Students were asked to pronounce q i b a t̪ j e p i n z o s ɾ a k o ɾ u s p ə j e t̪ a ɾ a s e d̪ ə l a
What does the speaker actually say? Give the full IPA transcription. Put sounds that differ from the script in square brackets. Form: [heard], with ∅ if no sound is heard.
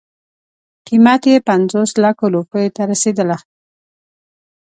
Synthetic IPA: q i [m] a t̪ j e p [a] n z o s [l] a k o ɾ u [∅] p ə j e t̪ a ɾ a s e d̪ ə l a